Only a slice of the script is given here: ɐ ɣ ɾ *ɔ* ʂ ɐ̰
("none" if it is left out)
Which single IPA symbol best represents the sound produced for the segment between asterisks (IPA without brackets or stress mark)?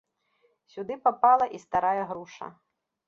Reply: u